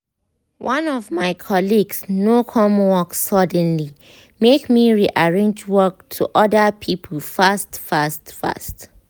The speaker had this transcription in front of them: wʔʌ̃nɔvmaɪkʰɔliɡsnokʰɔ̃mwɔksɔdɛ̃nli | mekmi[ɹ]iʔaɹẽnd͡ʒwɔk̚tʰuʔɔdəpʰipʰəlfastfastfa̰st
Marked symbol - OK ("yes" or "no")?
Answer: yes